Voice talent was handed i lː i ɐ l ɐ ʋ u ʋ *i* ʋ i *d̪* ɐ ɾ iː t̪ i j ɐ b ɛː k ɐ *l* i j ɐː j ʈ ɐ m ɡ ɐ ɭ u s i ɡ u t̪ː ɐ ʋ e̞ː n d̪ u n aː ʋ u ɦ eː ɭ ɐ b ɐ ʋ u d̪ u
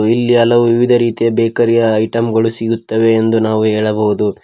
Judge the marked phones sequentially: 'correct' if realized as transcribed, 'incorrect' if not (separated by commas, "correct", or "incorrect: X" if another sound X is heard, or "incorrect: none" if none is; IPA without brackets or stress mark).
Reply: correct, correct, incorrect: ɾ